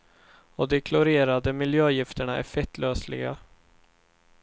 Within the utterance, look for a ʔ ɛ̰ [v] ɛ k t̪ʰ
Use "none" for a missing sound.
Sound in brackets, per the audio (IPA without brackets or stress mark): f